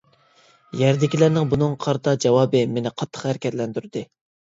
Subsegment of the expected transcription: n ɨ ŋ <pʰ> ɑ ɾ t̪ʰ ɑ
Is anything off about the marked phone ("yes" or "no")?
yes